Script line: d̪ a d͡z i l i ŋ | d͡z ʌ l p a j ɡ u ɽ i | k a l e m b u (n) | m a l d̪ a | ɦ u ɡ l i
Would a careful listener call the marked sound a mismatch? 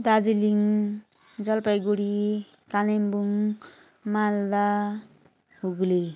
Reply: yes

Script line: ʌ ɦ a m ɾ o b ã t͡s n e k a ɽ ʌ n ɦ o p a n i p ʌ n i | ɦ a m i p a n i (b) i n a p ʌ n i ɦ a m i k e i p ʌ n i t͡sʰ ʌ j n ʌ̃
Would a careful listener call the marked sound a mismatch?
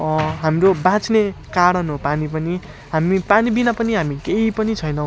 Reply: no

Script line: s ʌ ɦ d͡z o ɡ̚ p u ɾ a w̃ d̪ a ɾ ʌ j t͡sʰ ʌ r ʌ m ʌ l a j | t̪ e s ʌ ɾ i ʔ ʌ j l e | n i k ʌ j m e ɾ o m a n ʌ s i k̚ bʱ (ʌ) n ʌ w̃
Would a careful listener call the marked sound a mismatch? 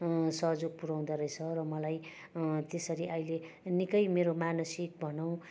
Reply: no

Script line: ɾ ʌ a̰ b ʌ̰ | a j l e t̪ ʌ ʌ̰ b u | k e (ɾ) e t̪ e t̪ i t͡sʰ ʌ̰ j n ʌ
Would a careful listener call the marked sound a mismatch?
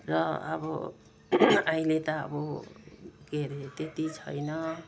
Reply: no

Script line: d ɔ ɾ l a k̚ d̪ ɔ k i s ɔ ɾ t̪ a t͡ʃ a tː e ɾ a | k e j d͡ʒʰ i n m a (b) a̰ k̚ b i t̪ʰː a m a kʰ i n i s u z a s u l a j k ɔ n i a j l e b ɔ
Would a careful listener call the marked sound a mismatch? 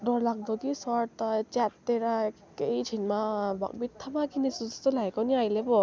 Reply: no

